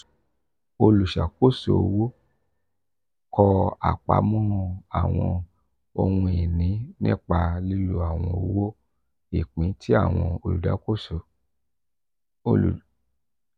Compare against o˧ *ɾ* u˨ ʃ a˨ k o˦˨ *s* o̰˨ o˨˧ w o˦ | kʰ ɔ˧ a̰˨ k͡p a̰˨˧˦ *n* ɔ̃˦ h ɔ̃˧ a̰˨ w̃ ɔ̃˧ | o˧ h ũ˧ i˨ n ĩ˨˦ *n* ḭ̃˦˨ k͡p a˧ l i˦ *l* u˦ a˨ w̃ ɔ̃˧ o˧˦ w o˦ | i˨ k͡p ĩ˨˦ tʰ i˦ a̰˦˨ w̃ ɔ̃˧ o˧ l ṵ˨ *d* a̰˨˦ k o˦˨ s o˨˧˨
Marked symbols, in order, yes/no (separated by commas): no, yes, no, yes, yes, yes